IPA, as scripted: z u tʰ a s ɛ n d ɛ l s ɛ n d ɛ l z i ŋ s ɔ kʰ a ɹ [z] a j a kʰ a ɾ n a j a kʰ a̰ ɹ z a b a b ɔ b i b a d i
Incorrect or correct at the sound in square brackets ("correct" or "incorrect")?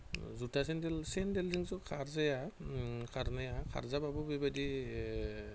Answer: correct